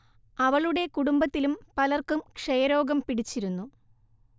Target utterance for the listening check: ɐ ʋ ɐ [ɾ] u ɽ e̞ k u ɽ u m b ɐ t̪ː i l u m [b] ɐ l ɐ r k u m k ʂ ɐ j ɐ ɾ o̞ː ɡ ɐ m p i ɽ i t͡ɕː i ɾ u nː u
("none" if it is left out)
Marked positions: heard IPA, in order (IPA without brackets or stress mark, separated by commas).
ɭ, p